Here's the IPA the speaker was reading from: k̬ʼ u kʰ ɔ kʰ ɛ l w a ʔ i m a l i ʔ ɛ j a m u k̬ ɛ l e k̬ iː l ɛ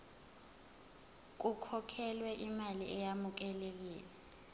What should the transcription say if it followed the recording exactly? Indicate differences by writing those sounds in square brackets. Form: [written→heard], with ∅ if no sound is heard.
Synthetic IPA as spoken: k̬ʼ u kʰ ɔ kʰ ɛ l w [a→ɛ] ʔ i m a l i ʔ ɛ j a m u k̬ ɛ l e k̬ iː l ɛ